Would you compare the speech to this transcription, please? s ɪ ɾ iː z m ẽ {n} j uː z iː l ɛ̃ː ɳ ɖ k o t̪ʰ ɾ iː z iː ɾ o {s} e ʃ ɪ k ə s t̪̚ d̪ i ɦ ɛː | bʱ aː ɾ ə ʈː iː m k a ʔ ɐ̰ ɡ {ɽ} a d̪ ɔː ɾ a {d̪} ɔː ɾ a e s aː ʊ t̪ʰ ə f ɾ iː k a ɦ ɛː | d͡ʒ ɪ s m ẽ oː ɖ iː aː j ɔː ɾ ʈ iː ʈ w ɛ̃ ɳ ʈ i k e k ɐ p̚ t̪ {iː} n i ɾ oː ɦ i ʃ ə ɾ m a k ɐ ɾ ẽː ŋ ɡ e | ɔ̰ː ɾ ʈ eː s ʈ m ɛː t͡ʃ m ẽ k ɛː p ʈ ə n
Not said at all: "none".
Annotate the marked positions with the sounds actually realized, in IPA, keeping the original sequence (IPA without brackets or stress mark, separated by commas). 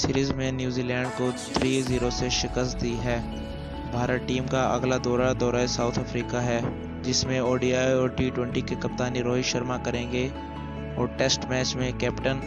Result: n, s, l, d̪, aː